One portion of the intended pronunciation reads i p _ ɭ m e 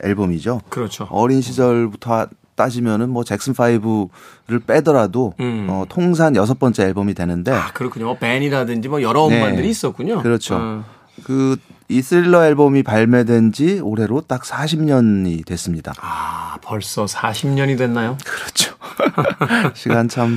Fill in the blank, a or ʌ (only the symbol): a